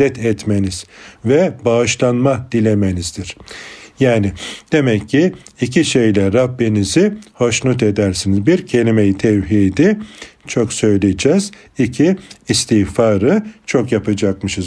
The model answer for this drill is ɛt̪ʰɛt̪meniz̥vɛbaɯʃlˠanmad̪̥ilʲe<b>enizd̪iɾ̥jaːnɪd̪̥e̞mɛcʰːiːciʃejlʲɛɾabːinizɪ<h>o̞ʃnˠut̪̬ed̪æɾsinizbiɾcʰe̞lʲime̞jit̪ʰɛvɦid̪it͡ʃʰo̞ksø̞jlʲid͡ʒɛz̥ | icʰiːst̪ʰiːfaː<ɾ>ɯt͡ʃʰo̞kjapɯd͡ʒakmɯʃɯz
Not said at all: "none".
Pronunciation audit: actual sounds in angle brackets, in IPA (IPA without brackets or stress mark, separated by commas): m, h, ɾ